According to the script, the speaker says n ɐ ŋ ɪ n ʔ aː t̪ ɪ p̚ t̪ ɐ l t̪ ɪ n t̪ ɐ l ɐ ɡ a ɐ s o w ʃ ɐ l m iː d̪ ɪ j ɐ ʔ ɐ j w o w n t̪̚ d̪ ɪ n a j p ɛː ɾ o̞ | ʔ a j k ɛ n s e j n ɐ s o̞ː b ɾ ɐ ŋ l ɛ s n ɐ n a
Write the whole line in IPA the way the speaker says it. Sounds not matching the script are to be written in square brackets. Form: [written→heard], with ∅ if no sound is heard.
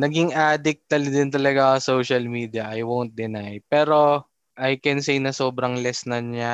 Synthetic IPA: n ɐ [ŋ→ɡ] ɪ [n→ŋ] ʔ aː [t̪→d̪] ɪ [p̚→k̚] t̪ ɐ l [t̪→d̪] ɪ n t̪ ɐ l ɐ ɡ a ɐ s o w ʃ ɐ l m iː d̪ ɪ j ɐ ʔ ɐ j w o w n t̪̚ d̪ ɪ n a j p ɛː ɾ o̞ | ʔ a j k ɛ n s e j n ɐ s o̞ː b ɾ ɐ ŋ l ɛ s n ɐ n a